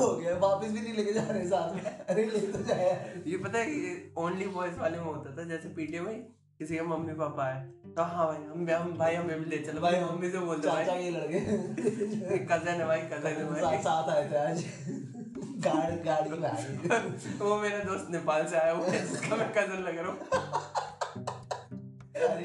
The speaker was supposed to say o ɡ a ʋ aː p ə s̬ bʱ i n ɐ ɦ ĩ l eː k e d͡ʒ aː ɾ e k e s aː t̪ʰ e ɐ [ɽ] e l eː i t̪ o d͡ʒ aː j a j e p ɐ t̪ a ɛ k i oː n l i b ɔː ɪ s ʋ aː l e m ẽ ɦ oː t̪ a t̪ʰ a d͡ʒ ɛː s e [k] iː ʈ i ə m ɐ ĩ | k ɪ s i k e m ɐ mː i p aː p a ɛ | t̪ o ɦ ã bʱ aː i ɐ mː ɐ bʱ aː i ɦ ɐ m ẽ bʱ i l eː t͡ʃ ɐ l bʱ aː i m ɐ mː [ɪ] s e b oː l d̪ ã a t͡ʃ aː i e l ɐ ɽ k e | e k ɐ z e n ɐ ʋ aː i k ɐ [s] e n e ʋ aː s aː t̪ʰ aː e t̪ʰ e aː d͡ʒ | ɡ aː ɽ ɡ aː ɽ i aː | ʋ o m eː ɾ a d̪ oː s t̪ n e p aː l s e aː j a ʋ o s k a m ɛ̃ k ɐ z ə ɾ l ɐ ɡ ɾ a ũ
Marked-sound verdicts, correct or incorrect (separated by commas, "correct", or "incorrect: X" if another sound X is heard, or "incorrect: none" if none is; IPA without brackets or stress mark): incorrect: ɾ, incorrect: p, incorrect: i, incorrect: z